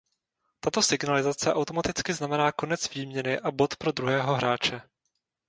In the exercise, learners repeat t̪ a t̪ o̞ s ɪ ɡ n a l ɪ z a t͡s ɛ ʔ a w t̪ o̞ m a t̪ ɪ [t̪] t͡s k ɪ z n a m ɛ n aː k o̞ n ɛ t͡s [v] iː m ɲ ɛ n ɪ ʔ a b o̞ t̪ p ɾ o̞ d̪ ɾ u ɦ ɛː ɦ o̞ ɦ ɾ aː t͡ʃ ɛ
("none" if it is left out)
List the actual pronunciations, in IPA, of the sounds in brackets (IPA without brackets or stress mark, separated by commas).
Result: none, v